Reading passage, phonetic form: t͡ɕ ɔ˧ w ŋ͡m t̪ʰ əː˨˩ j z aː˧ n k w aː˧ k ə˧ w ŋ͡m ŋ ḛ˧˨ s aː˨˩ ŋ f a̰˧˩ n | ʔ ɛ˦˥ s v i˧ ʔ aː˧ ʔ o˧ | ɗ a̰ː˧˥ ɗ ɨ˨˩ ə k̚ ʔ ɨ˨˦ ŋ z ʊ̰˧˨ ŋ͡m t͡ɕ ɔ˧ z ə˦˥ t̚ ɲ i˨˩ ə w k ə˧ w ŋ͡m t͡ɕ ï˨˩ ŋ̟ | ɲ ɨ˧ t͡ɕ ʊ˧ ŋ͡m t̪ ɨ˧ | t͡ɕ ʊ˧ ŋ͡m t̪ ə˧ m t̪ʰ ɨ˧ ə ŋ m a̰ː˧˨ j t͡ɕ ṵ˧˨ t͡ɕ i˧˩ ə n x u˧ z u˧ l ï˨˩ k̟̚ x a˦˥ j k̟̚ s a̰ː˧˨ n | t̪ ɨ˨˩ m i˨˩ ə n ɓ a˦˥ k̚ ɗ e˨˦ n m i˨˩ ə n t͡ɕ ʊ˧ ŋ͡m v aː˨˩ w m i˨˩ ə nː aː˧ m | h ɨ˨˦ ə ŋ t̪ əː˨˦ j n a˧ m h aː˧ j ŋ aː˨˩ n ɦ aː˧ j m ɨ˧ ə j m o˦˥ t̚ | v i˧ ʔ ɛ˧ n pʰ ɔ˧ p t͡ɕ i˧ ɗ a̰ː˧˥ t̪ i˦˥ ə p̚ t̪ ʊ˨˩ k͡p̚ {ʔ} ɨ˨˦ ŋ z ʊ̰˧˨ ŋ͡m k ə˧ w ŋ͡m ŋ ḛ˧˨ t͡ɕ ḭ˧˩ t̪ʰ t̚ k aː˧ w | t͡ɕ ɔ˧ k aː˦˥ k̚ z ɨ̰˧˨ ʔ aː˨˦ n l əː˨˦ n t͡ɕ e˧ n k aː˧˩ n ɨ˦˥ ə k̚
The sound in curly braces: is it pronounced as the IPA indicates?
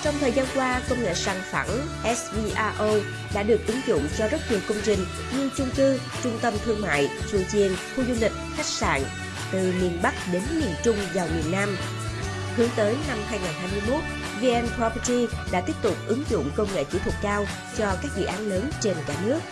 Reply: yes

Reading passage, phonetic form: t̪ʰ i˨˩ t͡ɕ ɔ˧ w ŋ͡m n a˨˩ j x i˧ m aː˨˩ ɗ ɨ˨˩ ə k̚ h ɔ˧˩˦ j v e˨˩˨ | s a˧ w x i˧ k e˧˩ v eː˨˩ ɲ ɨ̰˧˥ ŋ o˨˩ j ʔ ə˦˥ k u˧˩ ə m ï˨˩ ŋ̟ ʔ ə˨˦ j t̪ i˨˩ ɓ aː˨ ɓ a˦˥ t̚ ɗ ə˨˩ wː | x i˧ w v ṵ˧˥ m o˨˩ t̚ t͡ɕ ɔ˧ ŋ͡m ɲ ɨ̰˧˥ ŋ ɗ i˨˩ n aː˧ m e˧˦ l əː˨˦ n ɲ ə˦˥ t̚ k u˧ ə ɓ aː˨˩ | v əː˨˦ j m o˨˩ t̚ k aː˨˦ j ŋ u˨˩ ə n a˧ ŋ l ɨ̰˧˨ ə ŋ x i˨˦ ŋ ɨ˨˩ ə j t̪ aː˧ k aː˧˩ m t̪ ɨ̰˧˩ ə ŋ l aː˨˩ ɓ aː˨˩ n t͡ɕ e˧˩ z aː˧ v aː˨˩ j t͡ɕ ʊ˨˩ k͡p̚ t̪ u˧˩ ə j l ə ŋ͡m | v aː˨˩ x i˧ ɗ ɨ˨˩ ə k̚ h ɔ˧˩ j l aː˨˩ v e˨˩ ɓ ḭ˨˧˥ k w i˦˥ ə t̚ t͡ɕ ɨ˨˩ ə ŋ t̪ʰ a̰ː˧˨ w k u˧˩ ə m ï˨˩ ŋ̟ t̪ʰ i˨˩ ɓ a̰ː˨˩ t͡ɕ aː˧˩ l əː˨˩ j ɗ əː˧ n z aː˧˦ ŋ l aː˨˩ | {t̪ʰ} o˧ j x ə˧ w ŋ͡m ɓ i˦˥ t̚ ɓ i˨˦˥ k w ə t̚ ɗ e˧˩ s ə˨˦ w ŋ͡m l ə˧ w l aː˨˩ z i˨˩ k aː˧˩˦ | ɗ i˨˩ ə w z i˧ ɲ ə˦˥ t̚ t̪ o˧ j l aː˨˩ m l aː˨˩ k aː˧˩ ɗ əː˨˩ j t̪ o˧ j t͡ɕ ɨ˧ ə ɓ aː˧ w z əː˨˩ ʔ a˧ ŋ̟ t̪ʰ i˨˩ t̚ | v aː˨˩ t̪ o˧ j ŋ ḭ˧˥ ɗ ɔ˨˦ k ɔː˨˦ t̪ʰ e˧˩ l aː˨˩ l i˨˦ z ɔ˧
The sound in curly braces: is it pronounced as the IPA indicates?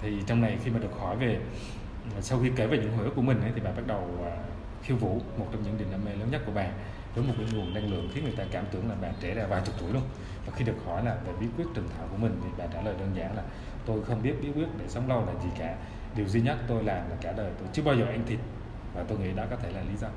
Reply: no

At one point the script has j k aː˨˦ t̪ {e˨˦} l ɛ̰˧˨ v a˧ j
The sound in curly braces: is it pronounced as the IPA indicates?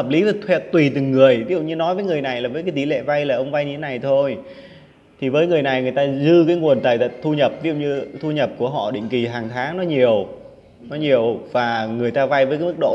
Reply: no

